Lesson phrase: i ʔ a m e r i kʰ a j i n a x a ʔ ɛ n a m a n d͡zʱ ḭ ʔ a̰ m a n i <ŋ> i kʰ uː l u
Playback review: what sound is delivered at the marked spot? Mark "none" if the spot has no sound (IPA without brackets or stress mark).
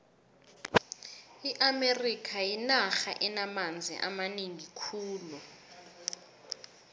ŋ